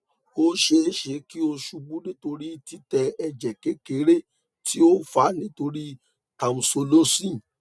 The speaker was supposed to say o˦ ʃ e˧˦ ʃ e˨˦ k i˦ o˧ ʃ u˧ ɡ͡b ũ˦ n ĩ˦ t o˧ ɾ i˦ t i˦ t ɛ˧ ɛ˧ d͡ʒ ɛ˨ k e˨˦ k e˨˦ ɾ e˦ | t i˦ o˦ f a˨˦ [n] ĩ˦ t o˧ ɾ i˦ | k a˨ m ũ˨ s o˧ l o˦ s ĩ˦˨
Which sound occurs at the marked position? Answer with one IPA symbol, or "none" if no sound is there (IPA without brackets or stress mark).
n